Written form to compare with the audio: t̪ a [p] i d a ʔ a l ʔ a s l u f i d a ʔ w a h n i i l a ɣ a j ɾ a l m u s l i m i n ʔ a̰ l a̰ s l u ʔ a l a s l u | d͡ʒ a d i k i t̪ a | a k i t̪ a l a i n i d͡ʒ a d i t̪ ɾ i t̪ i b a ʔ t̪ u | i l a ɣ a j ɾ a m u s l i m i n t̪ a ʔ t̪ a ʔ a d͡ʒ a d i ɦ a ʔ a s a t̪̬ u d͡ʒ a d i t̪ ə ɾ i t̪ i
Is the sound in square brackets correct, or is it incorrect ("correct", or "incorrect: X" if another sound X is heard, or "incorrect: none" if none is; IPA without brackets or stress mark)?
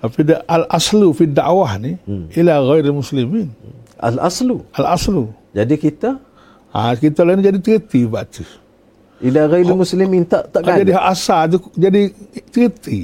correct